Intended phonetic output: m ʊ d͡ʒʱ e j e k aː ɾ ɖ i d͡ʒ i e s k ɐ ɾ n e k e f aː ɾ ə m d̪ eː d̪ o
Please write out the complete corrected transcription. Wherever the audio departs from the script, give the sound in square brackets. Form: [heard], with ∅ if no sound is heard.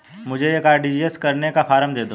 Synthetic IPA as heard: m ʊ d͡ʒʱ e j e k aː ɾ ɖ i d͡ʒ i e s k ɐ ɾ n e k [a] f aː ɾ ə m d̪ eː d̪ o